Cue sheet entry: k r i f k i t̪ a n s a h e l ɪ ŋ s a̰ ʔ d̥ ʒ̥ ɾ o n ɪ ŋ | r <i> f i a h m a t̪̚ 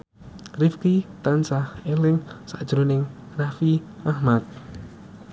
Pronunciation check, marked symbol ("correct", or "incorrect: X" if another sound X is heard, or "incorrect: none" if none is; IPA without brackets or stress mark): incorrect: a